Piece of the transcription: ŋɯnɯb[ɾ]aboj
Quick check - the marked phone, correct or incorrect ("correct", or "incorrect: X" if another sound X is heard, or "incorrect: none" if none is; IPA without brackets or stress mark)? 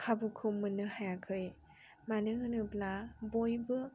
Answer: incorrect: l